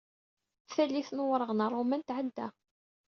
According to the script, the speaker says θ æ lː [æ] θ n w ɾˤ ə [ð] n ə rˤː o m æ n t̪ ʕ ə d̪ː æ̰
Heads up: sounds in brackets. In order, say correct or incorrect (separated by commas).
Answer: incorrect, incorrect